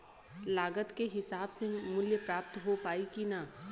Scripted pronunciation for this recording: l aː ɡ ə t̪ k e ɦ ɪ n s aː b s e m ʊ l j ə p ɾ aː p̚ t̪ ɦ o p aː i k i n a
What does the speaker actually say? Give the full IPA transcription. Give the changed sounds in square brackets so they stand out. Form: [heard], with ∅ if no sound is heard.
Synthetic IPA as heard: l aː ɡ ə t̪ k e ɦ ɪ [∅] s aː b s e m ʊ l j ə p ɾ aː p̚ t̪ ɦ o p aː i k i n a